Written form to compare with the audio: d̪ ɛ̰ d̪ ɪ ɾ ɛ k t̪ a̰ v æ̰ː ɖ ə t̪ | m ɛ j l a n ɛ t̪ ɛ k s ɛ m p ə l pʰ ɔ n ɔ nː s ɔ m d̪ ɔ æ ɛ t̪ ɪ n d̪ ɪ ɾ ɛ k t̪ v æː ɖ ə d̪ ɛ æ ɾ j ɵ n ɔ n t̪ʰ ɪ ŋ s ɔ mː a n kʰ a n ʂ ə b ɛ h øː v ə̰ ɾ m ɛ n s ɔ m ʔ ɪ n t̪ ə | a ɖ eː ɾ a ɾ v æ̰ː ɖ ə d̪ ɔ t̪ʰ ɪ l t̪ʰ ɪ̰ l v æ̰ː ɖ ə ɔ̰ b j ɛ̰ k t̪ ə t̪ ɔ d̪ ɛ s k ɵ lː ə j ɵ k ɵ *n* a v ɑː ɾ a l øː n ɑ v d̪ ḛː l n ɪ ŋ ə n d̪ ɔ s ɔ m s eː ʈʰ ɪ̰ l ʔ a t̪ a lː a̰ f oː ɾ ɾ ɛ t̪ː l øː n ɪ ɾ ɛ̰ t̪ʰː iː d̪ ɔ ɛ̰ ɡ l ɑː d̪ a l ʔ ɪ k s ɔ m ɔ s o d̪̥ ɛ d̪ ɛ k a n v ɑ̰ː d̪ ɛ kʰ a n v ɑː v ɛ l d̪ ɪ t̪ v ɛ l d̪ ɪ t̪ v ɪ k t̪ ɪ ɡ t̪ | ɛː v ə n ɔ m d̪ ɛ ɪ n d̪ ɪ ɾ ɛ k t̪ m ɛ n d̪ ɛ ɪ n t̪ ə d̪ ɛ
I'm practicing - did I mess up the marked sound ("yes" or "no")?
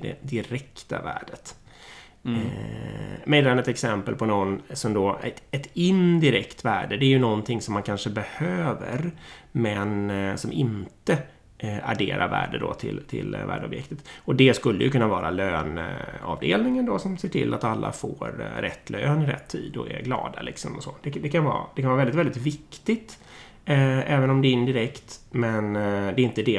yes